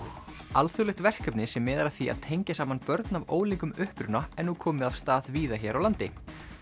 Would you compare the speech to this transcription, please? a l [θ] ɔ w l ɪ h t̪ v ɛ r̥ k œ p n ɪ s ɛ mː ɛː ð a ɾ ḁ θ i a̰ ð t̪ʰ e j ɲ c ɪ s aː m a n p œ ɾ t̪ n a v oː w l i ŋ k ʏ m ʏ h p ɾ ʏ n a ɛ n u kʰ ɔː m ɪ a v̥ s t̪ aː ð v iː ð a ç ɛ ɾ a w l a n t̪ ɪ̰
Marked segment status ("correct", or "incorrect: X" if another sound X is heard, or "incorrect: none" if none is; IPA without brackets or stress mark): correct